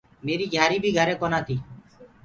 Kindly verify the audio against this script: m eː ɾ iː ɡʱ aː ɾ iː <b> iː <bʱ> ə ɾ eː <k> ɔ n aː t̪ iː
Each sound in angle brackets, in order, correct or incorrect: correct, incorrect, correct

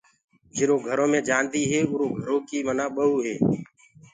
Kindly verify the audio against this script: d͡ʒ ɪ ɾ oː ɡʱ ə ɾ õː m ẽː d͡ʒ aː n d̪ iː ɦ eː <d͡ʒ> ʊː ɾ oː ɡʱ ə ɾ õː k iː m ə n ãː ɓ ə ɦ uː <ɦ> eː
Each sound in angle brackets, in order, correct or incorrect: incorrect, correct

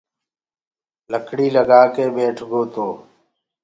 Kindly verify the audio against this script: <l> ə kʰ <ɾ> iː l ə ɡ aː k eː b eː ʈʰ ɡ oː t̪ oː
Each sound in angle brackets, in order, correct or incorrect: correct, incorrect

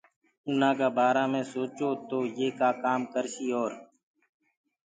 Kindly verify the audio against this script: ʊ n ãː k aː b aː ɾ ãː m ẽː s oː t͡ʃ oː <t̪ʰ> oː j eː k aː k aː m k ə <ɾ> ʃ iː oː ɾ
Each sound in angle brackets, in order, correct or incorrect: incorrect, correct

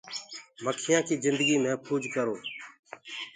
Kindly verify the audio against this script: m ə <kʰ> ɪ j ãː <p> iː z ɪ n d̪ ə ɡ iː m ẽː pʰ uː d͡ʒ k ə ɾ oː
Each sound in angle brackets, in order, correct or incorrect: correct, incorrect

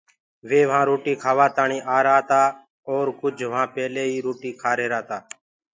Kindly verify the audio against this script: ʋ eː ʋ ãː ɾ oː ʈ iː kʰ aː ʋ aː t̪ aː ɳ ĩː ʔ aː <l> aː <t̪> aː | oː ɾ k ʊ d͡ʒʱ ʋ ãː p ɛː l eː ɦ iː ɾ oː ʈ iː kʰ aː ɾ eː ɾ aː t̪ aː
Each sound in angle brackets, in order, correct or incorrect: incorrect, correct

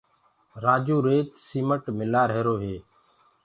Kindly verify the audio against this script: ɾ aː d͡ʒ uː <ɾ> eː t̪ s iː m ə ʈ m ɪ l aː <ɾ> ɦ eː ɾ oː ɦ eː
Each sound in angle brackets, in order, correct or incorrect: correct, correct

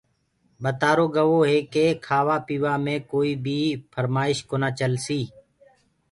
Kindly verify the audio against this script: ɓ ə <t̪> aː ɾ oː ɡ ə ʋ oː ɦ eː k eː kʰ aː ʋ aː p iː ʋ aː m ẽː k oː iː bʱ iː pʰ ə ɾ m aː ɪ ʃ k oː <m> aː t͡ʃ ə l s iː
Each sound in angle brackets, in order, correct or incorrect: correct, incorrect

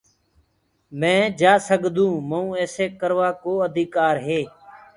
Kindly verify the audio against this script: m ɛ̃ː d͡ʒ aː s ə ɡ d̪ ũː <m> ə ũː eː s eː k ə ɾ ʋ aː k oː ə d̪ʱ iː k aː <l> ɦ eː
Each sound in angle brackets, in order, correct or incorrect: correct, incorrect

